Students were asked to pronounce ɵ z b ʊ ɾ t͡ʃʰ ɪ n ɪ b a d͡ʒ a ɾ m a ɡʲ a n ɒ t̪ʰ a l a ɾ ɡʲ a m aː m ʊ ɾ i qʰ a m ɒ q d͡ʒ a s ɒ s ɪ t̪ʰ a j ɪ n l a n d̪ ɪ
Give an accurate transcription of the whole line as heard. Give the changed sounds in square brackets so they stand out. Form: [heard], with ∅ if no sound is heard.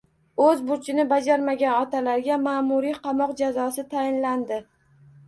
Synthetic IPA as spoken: ɵ z b ʊ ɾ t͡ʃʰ ɪ n ɪ b a d͡ʒ a ɾ m a ɡʲ a n ɒ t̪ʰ a l a ɾ ɡʲ a m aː m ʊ ɾ i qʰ [ɑ] m ɒ q d͡ʒ a [z] ɒ s ɪ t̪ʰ a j ɪ n l a n d̪ ɪ